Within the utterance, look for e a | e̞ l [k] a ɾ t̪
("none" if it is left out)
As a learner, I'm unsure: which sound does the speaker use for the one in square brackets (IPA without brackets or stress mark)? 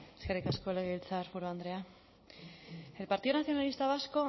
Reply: p